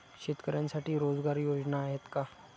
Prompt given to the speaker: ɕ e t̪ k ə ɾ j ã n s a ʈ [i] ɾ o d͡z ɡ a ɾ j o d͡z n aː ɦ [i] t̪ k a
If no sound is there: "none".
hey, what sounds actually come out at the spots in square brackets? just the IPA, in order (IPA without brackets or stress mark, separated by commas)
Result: iː, e